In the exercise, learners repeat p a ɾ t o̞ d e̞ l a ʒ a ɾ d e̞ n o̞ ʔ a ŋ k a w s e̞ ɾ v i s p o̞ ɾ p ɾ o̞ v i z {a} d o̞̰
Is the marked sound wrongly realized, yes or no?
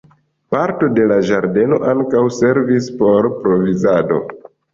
no